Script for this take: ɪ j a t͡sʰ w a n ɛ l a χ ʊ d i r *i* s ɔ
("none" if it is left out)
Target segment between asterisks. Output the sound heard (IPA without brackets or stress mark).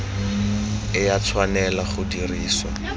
iː